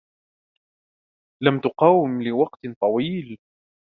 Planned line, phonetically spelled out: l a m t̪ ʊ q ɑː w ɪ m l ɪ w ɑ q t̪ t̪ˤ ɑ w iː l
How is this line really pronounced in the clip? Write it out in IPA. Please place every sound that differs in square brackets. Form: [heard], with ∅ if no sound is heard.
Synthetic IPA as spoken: l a m t̪ ʊ q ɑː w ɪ m l ɪ w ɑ q t̪ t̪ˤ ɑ w iː l